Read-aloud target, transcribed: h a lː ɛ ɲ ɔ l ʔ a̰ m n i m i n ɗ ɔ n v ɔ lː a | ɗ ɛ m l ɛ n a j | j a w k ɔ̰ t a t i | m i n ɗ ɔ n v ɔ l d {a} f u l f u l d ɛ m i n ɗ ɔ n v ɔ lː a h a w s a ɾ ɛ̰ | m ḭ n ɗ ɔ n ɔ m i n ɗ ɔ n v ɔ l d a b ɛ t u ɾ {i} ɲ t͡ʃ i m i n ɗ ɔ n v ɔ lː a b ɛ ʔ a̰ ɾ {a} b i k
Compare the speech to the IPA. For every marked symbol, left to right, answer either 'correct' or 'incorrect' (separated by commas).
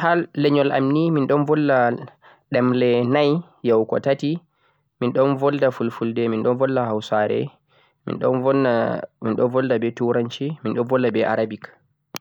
correct, incorrect, correct